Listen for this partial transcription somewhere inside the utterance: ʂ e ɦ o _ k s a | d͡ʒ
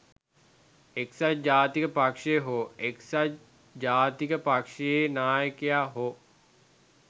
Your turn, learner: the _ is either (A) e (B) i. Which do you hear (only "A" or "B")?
A